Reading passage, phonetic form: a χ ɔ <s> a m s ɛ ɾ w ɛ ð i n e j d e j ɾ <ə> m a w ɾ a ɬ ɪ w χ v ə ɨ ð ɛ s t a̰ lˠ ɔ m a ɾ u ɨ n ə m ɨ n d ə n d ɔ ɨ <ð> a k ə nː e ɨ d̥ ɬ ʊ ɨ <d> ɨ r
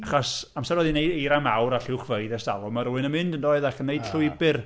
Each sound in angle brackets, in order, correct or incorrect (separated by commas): correct, incorrect, correct, incorrect